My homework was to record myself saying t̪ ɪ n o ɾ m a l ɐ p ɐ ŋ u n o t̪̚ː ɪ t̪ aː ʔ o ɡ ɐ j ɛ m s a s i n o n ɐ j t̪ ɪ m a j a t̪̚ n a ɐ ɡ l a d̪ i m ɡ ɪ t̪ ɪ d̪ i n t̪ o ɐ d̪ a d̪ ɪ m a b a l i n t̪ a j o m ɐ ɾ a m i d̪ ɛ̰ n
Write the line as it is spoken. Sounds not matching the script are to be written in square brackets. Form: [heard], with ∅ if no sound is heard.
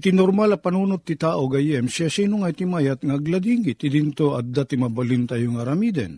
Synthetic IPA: t̪ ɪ n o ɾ m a l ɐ p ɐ [n] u n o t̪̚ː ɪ t̪ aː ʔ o ɡ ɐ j ɛ m s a s i n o [ŋ] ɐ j t̪ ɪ m a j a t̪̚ [ŋ] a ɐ ɡ l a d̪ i [ŋ] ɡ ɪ t̪ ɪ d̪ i n t̪ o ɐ d̪ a [t̪] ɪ m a b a l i n t̪ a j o [ŋ] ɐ ɾ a m i d̪ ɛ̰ n